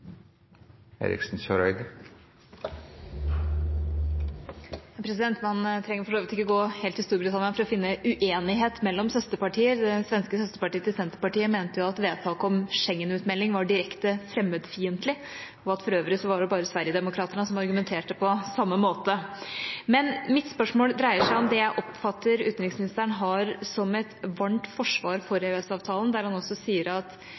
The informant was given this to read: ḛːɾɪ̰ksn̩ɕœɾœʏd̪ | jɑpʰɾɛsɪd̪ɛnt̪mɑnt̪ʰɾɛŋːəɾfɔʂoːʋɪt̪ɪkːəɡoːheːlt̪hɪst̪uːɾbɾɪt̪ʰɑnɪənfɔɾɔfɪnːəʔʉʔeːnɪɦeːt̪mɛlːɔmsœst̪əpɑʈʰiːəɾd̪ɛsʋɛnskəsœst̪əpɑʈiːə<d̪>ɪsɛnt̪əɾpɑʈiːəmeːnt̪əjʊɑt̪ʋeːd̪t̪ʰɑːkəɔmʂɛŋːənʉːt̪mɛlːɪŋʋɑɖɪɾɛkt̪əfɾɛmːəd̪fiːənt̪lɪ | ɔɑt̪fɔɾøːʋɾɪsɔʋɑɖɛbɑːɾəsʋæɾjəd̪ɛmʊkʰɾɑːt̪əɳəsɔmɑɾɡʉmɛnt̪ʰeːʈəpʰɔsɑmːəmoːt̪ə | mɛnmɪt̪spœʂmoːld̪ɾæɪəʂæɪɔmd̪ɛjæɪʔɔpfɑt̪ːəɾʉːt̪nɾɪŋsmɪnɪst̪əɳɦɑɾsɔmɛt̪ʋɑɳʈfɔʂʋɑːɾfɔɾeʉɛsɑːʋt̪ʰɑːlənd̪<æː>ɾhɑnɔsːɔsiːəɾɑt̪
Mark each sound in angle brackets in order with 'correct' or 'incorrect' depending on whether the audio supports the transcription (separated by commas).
incorrect, incorrect